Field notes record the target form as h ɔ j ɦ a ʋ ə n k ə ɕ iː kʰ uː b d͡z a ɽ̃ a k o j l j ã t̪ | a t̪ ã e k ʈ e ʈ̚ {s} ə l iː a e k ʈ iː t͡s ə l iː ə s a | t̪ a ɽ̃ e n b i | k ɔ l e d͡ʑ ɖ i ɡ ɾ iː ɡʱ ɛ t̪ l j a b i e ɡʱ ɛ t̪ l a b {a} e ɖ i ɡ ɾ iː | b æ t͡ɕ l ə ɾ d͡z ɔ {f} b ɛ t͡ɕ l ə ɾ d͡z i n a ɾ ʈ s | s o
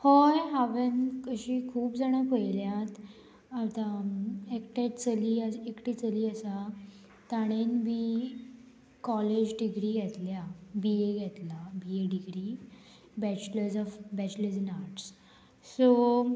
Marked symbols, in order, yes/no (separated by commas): no, no, yes